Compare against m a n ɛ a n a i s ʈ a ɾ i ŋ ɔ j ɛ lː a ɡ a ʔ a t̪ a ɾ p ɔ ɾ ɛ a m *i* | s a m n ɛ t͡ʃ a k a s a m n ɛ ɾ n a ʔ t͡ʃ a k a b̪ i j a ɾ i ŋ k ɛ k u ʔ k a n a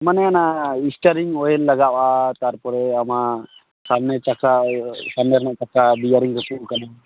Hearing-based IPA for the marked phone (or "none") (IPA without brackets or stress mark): a